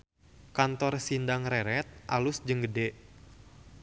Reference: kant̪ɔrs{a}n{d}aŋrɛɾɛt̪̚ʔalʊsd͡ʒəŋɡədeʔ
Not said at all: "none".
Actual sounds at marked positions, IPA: i, d

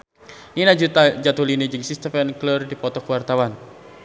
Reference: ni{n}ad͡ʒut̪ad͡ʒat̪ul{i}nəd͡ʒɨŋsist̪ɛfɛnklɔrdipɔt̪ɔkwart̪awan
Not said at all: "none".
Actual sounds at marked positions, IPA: n, i

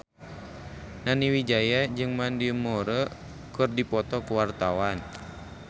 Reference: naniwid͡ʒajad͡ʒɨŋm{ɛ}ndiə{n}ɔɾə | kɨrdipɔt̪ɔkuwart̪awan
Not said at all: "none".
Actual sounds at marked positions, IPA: a, m

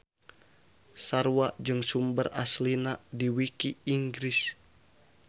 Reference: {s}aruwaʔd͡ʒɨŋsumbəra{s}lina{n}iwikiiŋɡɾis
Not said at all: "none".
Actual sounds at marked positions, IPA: s, s, d

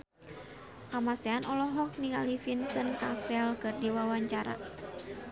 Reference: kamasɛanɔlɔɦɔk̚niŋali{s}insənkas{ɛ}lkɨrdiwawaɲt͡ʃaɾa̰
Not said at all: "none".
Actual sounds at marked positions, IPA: f, ɛ

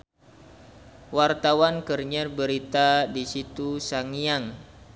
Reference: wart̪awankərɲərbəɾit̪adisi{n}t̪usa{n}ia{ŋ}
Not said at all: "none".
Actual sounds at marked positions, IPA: none, ŋ, ŋ

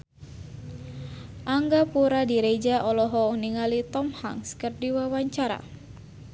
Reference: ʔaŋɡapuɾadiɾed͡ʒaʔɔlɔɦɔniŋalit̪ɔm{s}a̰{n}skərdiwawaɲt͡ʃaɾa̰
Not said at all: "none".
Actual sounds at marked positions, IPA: h, ŋ

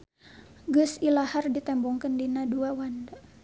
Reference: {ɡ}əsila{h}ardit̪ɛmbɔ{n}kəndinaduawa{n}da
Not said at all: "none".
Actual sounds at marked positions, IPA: ɡ, h, ŋ, n

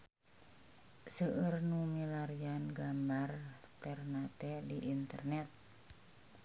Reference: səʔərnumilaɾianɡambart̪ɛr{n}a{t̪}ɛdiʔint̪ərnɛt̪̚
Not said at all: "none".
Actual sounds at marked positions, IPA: n, t̪

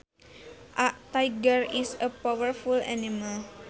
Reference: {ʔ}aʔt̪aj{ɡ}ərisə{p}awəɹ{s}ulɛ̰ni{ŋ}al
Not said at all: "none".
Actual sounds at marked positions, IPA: ʔ, ɡ, p, f, m

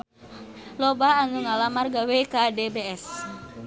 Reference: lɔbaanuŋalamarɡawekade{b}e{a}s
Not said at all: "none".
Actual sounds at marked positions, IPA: b, ɛ

